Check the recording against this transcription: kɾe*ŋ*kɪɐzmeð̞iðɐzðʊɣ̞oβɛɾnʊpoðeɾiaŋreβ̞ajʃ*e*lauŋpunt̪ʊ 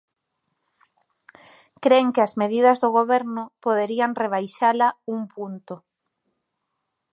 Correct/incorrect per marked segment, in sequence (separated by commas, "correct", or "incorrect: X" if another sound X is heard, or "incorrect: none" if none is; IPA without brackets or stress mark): correct, incorrect: a